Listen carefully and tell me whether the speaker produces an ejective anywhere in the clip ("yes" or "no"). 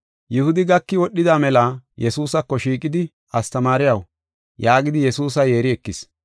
yes